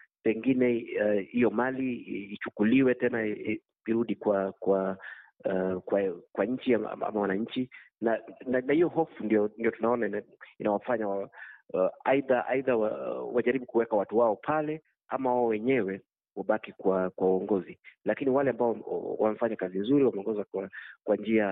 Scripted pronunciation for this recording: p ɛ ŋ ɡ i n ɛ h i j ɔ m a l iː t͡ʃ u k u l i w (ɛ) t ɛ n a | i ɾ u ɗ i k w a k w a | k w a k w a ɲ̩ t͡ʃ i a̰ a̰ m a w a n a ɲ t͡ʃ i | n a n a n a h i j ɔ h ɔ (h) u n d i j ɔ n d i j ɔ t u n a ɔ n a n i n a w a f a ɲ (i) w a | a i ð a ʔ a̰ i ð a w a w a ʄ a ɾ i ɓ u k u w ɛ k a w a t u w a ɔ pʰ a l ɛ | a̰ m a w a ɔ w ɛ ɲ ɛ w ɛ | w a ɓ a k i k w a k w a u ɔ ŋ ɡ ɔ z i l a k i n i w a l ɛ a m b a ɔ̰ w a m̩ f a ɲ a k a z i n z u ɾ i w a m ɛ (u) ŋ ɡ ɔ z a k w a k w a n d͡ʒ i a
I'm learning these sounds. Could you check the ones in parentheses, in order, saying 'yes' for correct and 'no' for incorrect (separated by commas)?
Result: yes, no, no, no